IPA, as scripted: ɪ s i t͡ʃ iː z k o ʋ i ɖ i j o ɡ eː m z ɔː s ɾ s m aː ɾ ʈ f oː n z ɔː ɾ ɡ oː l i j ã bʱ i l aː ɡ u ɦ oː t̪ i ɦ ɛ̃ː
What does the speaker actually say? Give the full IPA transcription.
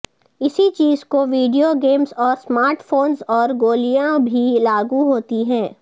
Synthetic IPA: ɪ s i t͡ʃ iː z k o ʋ iː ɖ i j o ɡ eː m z ɔː ɾ s m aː ɾ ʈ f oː n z ɔː ɾ ɡ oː l i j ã bʱ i l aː ɡ u ɦ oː t̪ i ɦ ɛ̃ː